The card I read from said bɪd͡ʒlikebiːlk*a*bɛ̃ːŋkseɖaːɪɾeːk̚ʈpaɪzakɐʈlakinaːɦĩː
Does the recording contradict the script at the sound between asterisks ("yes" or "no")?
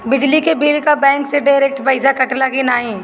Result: no